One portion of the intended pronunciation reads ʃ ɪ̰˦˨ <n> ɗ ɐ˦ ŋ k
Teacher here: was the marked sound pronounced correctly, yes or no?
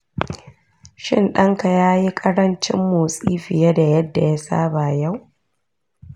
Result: yes